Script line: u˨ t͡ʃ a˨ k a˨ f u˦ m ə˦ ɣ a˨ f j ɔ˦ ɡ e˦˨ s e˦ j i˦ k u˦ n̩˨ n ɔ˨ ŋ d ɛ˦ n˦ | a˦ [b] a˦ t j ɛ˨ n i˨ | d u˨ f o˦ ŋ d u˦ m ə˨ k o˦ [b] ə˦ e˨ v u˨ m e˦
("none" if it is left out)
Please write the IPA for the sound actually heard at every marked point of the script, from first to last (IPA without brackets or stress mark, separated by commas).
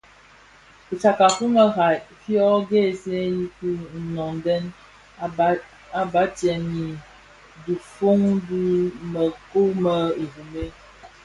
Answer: b, m